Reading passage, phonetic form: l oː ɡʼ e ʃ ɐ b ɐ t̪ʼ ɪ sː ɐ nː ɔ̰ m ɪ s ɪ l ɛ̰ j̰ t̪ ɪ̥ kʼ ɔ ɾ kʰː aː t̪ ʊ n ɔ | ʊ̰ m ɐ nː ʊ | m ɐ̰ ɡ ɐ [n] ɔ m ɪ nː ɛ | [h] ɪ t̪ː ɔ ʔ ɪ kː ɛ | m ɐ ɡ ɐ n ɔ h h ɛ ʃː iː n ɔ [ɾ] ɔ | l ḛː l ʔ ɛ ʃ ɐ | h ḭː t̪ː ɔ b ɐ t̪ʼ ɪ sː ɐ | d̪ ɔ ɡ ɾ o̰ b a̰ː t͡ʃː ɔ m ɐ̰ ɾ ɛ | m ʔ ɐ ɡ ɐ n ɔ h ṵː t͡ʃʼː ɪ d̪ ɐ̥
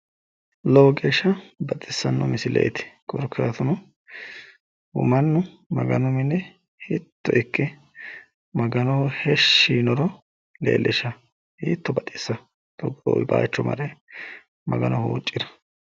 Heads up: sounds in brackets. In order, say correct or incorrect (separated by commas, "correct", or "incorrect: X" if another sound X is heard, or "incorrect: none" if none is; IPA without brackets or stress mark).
correct, correct, correct